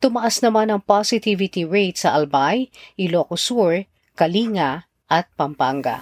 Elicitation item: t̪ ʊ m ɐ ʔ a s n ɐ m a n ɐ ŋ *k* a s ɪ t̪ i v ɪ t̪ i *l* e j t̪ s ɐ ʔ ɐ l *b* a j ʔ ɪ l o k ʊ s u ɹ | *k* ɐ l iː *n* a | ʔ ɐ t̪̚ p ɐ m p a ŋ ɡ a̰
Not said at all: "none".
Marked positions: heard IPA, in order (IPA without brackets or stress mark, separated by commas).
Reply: p, ɹ, b, k, ŋ